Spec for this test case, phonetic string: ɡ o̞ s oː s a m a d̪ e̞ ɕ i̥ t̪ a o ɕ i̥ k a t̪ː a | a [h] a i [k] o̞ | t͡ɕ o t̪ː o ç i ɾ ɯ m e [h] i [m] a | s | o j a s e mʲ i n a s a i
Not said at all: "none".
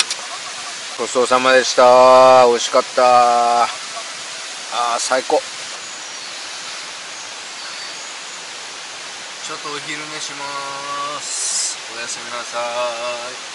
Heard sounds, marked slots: s, k, ɕ, m

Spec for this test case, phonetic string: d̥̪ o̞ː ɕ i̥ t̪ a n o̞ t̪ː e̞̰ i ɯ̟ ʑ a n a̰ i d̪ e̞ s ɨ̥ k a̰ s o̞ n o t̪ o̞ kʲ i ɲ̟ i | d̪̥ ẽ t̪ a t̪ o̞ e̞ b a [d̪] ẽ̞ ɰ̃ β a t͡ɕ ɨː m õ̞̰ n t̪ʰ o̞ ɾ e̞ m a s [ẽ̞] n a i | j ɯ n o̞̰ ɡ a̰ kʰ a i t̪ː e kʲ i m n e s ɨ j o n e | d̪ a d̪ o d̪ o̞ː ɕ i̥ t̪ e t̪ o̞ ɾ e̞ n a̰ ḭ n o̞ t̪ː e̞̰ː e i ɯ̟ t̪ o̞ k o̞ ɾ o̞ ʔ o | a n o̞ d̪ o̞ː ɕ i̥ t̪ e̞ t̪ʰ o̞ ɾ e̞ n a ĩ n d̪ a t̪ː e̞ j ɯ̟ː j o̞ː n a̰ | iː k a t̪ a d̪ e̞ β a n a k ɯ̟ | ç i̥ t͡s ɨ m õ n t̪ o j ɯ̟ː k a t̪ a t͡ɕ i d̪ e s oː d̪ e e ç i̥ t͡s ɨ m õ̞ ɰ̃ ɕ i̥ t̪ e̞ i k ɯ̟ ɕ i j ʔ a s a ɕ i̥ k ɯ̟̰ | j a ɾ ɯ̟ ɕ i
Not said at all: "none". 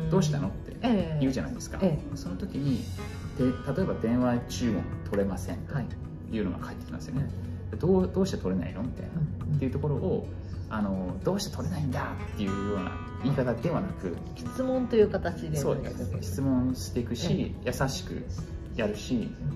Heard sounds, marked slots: d̪, ẽ̞

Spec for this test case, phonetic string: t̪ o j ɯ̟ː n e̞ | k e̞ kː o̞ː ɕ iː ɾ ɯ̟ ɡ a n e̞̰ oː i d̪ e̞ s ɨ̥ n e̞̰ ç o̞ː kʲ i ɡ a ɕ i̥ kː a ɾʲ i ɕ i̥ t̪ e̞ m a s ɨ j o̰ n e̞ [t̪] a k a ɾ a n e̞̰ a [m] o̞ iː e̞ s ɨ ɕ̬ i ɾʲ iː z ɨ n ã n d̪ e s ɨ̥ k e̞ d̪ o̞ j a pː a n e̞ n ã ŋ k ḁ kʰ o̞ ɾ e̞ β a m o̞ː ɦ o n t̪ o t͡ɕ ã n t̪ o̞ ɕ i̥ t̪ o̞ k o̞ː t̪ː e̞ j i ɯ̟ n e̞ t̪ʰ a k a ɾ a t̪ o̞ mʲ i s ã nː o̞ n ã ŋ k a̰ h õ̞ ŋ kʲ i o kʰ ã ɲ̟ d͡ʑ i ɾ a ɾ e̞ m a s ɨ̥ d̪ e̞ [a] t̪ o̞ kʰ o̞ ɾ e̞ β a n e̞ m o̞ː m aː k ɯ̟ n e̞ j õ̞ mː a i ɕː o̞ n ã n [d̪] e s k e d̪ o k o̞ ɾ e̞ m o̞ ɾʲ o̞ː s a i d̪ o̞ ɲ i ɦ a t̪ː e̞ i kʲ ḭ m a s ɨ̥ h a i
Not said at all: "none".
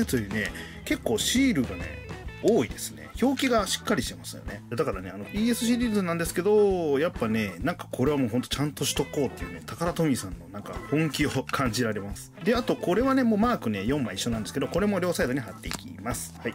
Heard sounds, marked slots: d̪, n, a, d̪

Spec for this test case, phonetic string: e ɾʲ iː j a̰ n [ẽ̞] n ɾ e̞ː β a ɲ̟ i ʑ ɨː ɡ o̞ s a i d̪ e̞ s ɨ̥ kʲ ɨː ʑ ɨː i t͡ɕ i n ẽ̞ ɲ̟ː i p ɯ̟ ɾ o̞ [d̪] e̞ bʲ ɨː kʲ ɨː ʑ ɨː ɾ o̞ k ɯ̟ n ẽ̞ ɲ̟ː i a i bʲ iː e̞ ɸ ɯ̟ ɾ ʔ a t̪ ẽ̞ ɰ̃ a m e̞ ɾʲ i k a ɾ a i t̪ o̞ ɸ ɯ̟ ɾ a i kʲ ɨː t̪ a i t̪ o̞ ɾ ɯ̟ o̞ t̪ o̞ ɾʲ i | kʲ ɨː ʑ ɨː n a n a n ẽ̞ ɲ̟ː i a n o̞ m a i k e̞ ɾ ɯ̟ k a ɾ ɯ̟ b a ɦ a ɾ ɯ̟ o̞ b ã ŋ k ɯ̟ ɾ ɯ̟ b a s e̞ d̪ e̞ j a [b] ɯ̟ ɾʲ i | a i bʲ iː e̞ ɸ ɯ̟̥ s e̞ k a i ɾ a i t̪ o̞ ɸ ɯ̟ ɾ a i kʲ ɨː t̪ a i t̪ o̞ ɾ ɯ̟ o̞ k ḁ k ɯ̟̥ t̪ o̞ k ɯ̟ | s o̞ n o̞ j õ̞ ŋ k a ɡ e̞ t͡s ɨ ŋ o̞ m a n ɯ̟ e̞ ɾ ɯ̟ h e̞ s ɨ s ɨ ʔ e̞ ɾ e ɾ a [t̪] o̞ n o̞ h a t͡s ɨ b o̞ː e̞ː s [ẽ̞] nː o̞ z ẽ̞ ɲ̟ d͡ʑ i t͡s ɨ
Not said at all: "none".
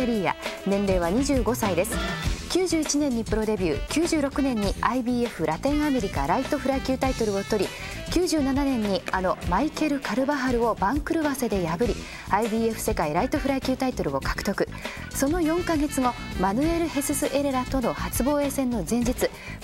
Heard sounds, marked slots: ẽ̞, d̪, b, t̪, ẽ̞

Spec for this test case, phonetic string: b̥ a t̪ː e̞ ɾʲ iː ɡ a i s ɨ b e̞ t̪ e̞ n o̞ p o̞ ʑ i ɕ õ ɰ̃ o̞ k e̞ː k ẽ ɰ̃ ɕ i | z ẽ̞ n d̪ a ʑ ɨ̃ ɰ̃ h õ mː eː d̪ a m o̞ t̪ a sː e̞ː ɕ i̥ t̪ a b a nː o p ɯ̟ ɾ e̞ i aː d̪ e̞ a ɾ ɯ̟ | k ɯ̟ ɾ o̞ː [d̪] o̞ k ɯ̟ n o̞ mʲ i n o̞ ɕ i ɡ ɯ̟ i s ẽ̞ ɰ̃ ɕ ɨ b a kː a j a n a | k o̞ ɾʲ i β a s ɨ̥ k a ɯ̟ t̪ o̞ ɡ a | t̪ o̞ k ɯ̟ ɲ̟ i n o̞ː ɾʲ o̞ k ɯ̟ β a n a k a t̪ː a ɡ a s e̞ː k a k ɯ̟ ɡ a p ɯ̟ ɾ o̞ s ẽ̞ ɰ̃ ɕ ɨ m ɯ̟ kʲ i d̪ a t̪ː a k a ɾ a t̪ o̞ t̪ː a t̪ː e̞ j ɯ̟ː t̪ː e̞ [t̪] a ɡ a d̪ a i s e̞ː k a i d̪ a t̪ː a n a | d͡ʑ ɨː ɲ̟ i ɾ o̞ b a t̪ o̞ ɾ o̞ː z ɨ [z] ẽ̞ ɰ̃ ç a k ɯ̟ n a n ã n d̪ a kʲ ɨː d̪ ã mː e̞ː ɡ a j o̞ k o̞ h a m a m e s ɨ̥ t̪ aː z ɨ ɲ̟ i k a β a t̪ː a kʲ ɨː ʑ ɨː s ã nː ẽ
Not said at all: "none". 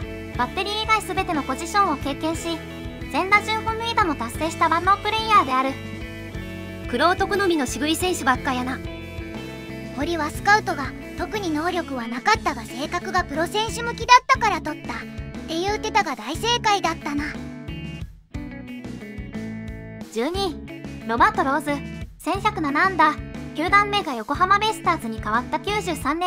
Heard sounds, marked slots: t̪, t̪, s

